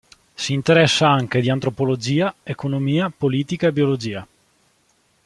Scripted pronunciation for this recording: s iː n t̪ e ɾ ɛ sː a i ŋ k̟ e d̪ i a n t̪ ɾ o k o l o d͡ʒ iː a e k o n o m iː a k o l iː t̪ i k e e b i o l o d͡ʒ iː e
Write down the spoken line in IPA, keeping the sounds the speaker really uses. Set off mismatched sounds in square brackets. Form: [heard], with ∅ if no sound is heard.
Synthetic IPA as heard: s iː n t̪ e ɾ ɛ sː a [a] ŋ k̟ e d̪ i a n t̪ ɾ o [p] o l o d͡ʒ iː a e k o n o m iː a [p] o l iː t̪ i k [a] e b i o l o d͡ʒ iː [a]

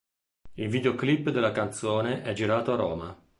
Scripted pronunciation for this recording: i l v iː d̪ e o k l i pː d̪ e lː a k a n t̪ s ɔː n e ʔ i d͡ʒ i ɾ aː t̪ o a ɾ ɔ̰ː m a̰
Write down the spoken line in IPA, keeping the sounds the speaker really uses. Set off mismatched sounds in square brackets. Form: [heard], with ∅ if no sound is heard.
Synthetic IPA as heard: i l v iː d̪ e o k l i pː d̪ e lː a k a n t̪ s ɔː n e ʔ [ɛ] d͡ʒ i ɾ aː t̪ o a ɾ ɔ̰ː m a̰

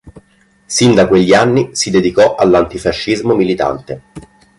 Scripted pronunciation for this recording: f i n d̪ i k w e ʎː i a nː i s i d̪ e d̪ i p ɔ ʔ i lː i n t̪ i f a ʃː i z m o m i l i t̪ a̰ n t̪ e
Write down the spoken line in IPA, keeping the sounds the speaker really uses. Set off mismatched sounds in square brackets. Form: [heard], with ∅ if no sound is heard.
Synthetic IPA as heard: [s] i n d̪ [a] k w e ʎː i a nː i s i d̪ e d̪ i [k] ɔ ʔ [a] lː [a] n t̪ i f a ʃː i z m o m i l i t̪ a̰ n t̪ e

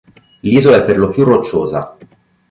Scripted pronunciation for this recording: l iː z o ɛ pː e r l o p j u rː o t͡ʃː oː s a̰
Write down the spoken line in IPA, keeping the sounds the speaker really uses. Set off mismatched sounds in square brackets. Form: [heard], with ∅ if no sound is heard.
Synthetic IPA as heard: l iː z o ɛ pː e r l o p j u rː o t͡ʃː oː [z] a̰

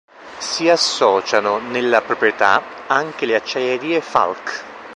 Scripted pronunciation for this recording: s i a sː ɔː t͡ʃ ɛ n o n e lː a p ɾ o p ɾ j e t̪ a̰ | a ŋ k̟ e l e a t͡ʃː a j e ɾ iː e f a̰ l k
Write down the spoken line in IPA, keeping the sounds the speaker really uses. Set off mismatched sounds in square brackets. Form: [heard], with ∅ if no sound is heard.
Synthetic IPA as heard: s i a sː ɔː t͡ʃ [a] n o n e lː a p ɾ o p ɾ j e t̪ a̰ | a ŋ k̟ e l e a t͡ʃː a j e ɾ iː e f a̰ l k

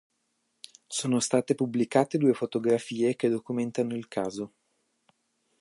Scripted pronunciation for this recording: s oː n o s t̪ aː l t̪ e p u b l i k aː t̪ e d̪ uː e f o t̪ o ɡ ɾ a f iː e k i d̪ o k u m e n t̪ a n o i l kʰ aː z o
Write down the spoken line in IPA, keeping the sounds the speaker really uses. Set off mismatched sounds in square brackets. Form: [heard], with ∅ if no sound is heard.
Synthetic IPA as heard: s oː n o s t̪ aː [∅] t̪ e p u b l i k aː t̪ e d̪ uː e f o t̪ o ɡ ɾ a f iː e k [e] d̪ o k u m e n t̪ a n o i l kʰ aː z o

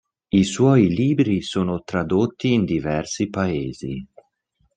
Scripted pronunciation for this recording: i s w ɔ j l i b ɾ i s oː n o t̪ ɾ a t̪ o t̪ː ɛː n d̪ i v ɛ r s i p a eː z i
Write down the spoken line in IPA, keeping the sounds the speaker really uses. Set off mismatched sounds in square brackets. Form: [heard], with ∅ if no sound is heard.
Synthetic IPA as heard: i s w ɔ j l [iː] b ɾ i s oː n o t̪ ɾ a [d̪] o t̪ː [iː] n d̪ i v ɛ r s i p a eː z i

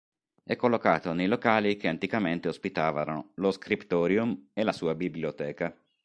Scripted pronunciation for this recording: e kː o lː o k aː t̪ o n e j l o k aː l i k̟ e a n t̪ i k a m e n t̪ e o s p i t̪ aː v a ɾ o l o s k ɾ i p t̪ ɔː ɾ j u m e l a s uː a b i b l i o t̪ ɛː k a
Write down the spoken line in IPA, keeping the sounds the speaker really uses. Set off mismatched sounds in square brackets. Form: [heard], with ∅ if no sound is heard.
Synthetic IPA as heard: [ɛ] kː o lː o k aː t̪ o n e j l o k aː l i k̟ e a n t̪ i k a m e n t̪ e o s p i t̪ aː v a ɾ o l o s k ɾ i p t̪ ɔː ɾ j u m e l a s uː a b i b l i o t̪ ɛː k a

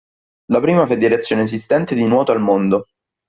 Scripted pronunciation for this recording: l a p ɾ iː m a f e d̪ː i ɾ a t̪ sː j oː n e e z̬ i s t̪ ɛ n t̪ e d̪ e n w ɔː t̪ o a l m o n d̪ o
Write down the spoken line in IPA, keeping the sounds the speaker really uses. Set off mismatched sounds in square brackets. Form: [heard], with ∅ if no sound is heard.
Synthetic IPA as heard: l a p ɾ iː m a f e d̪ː i ɾ [e] t̪ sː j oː n e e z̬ i s t̪ ɛ n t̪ e d̪ [i] n w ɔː t̪ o a l m o n d̪ o

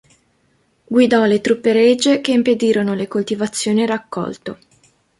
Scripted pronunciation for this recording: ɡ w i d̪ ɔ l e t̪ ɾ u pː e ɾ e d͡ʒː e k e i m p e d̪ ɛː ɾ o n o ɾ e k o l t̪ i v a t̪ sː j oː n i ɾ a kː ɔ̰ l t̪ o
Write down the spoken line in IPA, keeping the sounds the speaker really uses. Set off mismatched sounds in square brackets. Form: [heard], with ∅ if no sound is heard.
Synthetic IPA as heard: ɡ w i d̪ ɔ l e t̪ ɾ u pː e ɾ e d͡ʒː e k e i m p e d̪ [iː] ɾ o n o [l] e k o l t̪ i v a t̪ sː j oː n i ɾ a kː ɔ̰ l t̪ o

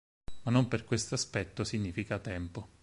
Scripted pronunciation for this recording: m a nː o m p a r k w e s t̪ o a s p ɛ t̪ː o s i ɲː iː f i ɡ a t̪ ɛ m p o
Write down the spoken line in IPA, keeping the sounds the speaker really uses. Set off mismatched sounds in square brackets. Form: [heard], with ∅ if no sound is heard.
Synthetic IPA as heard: m a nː o m p [e] r k w e s t̪ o a s p ɛ t̪ː o s i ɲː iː f i [k] a t̪ ɛ m p o

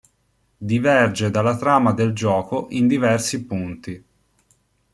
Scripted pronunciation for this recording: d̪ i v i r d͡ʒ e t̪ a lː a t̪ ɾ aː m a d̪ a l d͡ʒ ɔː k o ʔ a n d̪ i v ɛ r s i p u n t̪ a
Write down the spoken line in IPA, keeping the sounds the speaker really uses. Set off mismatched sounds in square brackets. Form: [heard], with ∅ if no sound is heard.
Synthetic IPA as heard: d̪ i v [ɛ] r d͡ʒ e [d̪] a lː a t̪ ɾ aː m a d̪ [e] l d͡ʒ ɔː k o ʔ [i] n d̪ i v ɛ r s i p u n t̪ [i]

